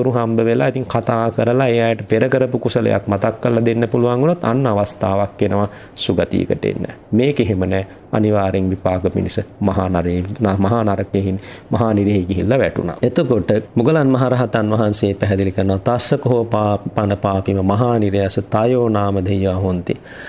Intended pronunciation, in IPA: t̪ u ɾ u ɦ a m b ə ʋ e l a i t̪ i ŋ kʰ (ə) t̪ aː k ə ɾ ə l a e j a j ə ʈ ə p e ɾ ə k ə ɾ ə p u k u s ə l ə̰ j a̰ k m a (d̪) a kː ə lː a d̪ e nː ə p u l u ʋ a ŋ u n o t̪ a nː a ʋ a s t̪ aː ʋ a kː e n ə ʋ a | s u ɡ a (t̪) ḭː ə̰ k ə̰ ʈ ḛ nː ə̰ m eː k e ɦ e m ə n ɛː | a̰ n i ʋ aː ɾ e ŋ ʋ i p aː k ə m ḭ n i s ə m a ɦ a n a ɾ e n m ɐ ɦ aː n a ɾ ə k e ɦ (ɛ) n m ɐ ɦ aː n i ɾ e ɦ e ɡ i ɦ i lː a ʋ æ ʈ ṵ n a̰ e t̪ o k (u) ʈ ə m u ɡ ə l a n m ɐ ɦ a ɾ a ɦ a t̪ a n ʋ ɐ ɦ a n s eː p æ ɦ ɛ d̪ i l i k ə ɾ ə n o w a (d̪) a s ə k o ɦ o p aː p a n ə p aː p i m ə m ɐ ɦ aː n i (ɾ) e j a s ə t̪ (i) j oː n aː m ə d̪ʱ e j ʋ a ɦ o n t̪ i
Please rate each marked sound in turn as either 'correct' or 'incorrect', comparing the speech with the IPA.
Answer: incorrect, incorrect, correct, incorrect, incorrect, incorrect, correct, incorrect

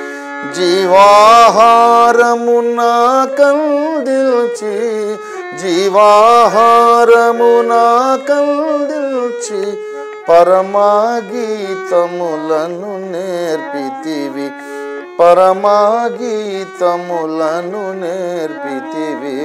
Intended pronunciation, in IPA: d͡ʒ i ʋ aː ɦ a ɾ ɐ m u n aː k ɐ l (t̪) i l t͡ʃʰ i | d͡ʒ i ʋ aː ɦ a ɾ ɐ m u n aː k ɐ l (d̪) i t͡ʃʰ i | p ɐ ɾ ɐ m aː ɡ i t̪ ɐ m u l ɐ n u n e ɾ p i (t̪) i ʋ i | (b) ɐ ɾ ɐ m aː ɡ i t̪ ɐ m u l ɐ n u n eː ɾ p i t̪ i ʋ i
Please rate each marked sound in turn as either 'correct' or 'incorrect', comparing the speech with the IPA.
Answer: incorrect, correct, correct, incorrect

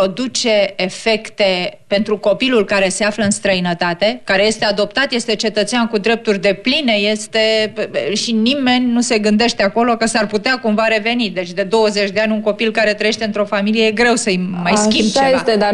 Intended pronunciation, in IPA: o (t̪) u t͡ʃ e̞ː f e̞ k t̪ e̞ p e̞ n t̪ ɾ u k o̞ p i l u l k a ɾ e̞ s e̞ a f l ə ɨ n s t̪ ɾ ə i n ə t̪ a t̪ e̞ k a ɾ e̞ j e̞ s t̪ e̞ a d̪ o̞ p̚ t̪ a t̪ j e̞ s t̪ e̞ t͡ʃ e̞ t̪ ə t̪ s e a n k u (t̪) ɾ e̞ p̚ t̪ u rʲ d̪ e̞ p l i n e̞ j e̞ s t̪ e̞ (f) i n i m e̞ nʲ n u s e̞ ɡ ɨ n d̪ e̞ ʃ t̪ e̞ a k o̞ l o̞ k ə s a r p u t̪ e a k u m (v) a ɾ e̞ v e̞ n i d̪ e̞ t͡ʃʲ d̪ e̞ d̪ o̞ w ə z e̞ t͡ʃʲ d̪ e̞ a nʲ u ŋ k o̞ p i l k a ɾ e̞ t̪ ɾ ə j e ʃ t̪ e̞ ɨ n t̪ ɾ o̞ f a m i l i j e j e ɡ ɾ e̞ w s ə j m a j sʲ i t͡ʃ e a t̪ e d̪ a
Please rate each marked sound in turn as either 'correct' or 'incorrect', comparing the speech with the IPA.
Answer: incorrect, incorrect, incorrect, correct

